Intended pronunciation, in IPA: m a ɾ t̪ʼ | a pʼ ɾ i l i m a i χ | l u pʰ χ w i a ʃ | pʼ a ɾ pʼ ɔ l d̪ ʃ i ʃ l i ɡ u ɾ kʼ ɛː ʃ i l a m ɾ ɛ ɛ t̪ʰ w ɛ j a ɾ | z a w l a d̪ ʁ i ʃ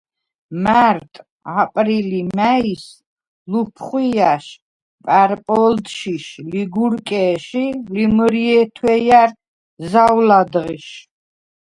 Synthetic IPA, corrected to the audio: m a ɾ t̪ʼ | a pʼ ɾ i l i m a i s | l u pʰ χ w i a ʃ | pʼ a ɾ pʼ ɔ l d̪ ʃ i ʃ l i ɡ u ɾ kʼ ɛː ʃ i l i m ɾ i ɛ t̪ʰ w ɛ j a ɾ | z a w l a d̪ ʁ i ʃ